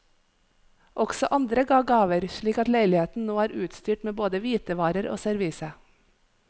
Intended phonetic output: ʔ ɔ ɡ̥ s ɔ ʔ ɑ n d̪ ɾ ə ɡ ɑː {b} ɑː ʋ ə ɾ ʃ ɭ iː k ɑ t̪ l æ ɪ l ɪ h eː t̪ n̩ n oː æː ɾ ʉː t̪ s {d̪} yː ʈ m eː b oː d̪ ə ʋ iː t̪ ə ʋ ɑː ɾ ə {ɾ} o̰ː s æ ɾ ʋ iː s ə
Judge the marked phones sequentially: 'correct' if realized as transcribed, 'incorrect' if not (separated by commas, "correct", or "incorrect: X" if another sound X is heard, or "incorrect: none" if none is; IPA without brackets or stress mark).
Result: incorrect: ɡ, incorrect: t̪, correct